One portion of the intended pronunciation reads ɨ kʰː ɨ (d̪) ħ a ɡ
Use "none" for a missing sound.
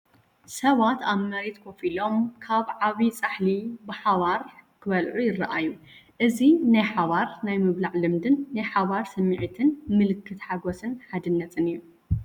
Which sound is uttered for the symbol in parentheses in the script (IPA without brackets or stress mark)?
t̪